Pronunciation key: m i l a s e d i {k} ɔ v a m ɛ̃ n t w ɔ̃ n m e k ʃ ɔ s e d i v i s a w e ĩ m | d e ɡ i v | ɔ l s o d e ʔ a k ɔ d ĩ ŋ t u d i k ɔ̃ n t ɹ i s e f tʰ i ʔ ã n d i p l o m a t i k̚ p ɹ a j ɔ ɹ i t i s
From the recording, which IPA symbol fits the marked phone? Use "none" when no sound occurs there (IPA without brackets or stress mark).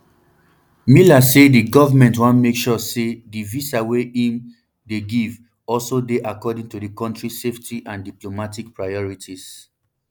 ɡ